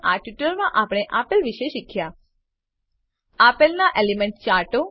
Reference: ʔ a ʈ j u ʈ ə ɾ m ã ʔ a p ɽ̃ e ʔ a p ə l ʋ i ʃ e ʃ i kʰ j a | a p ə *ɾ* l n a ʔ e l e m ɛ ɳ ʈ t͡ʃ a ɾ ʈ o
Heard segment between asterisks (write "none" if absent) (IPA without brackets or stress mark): none